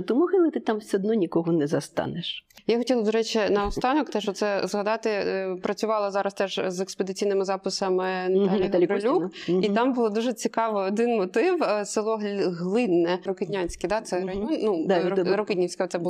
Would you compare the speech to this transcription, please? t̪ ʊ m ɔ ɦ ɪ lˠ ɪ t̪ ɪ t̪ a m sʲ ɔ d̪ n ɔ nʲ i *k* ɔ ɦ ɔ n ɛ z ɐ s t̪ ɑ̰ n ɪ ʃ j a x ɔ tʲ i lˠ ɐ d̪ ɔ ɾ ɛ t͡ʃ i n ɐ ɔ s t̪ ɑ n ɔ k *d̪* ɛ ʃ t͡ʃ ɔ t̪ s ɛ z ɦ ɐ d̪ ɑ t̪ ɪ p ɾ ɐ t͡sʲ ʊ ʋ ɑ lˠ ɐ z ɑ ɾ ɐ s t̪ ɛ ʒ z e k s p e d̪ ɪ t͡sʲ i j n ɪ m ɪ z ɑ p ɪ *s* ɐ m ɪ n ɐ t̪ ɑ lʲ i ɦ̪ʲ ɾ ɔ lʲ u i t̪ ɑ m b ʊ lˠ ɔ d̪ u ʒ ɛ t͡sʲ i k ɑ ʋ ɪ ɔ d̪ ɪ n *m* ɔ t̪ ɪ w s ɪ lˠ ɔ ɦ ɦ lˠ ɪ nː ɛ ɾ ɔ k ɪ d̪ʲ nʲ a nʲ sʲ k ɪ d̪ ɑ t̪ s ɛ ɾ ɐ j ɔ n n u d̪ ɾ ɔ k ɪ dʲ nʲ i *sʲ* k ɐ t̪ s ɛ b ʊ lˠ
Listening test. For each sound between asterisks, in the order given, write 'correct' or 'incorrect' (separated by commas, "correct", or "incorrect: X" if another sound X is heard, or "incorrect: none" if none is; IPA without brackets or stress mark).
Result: correct, incorrect: t̪, correct, correct, correct